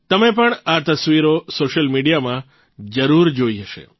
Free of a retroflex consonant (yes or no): no